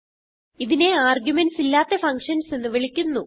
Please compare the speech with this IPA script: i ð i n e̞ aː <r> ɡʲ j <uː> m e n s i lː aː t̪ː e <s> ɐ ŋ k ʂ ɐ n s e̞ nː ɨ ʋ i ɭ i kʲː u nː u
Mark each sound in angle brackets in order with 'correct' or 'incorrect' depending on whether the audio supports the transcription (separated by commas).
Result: correct, incorrect, incorrect